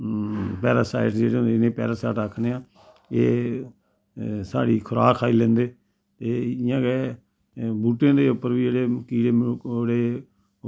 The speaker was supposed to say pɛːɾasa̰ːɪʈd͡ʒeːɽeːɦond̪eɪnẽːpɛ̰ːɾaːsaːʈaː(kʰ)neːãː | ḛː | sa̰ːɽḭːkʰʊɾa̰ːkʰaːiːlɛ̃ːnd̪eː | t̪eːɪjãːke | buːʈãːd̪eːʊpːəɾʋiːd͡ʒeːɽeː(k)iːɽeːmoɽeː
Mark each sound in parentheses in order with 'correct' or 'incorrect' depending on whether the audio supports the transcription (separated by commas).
correct, correct